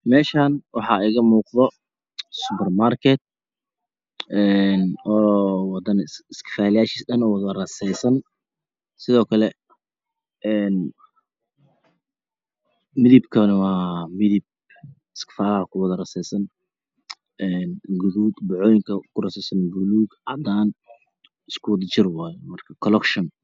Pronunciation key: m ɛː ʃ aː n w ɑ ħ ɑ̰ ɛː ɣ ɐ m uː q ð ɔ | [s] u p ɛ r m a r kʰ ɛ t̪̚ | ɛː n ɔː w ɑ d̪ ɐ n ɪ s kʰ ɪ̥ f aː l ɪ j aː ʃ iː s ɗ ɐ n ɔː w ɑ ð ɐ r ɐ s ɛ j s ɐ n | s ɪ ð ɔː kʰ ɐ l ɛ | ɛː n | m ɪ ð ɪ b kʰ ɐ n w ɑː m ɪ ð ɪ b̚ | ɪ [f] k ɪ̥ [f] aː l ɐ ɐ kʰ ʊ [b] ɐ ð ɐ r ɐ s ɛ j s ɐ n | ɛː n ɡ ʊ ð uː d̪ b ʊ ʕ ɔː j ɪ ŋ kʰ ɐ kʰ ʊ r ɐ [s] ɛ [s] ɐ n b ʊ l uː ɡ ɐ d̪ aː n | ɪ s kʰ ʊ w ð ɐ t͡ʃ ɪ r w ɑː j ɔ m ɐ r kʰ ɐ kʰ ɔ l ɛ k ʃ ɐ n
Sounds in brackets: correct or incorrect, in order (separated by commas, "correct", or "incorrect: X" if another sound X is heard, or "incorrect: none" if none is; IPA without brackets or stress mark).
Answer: correct, incorrect: s, correct, incorrect: w, correct, correct